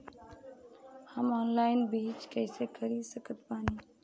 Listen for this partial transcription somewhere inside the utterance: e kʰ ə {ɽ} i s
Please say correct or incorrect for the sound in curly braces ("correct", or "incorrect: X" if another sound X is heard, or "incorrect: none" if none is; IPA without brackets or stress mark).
incorrect: ɾ